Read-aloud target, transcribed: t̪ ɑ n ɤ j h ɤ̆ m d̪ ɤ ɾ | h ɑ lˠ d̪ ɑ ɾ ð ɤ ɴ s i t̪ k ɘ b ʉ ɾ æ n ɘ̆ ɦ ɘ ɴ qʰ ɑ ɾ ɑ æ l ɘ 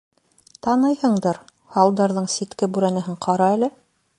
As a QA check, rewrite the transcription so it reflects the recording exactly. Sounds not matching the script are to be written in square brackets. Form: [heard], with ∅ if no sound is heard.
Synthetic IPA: t̪ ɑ n ɤ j h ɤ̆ [ɴ] d̪ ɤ ɾ | h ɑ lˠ d̪ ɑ ɾ ð ɤ ɴ s i t̪ k ɘ b ʉ ɾ æ n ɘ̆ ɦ ɘ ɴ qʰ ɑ ɾ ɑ æ l ɘ